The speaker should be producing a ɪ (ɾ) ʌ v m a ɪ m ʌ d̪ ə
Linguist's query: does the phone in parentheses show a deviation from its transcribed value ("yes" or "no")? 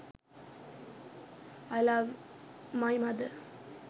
yes